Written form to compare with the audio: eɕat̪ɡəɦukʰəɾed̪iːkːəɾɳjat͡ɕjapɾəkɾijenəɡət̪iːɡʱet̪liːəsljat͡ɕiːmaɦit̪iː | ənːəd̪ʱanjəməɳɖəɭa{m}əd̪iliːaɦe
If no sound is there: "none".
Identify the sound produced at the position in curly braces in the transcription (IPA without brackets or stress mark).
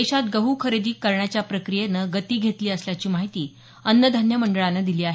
n